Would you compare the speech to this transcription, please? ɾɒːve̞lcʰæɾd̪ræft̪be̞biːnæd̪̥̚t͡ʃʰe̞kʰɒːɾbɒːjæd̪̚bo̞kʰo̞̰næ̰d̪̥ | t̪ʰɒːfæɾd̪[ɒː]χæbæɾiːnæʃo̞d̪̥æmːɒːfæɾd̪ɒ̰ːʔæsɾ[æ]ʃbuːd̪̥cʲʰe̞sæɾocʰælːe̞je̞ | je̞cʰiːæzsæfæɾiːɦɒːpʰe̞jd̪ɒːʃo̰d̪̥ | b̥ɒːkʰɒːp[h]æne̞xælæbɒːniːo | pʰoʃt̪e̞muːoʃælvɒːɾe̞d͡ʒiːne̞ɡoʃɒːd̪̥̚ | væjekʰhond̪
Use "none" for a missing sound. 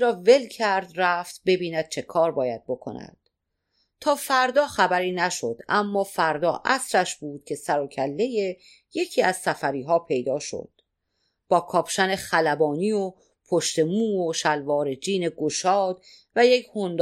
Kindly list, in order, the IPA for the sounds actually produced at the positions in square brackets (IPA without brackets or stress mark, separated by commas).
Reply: ɒː, æ, ʃ